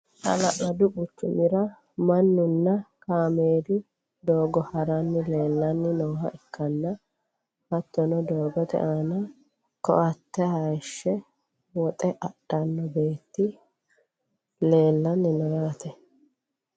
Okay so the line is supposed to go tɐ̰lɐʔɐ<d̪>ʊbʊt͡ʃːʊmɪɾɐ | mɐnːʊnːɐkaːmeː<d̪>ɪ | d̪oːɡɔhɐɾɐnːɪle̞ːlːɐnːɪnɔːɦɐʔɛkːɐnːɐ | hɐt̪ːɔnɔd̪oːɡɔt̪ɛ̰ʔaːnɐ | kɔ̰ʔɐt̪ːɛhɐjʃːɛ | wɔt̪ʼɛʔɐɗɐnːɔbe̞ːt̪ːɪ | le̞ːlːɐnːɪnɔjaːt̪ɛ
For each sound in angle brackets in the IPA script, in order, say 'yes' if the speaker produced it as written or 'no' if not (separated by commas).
yes, yes